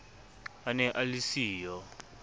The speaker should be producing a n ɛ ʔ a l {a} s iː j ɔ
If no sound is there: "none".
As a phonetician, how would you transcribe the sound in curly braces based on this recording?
i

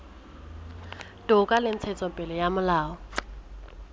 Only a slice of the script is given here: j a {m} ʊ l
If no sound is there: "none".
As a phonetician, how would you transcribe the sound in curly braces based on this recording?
m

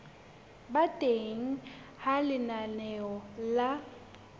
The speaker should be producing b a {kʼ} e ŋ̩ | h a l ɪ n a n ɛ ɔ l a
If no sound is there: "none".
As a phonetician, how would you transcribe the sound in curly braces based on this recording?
tʼ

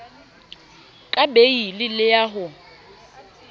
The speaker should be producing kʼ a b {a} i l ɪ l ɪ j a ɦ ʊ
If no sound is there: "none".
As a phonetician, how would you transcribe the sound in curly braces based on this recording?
e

